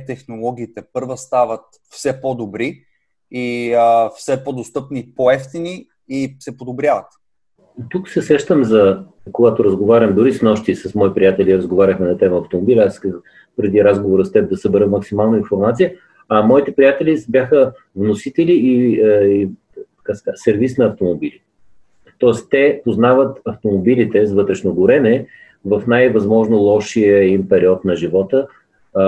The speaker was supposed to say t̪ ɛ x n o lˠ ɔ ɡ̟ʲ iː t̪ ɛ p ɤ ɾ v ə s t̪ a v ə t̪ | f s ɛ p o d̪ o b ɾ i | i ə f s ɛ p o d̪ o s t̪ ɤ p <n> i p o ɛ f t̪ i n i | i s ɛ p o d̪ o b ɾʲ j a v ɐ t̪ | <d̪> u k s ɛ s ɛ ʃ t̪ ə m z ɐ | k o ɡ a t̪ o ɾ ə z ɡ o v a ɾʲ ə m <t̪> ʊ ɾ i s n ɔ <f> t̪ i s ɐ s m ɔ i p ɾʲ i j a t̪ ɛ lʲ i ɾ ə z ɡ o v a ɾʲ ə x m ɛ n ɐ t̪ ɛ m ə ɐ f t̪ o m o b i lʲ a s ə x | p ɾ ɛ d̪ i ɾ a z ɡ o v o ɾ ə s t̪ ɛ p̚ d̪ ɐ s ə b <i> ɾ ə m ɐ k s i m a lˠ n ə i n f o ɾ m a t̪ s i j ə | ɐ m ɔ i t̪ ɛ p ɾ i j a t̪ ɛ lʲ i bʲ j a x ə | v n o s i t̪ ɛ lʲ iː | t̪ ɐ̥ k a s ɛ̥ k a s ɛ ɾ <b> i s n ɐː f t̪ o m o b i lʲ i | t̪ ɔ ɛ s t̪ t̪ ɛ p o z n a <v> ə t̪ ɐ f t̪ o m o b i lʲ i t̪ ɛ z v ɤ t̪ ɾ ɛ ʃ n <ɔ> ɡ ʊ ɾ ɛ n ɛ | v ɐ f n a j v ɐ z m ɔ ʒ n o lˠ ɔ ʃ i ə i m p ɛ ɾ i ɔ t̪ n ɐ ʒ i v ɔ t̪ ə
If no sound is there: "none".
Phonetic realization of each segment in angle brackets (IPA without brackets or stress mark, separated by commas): n, t̪, d̪, ʃ, ɛ, v, v, o